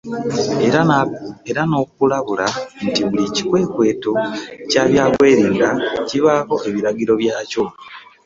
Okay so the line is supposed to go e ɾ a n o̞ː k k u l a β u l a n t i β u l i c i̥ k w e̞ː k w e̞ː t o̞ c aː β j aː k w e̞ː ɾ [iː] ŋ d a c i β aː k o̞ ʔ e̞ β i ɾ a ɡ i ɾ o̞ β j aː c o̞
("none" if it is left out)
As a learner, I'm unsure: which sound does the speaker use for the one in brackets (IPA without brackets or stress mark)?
iː